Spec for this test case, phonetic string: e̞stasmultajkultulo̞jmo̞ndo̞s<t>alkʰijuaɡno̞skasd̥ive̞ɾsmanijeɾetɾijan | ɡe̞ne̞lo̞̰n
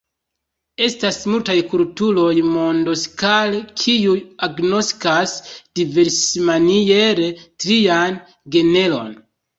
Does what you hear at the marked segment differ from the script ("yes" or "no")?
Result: yes